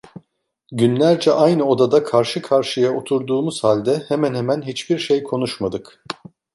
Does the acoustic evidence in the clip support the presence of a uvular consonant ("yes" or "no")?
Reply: no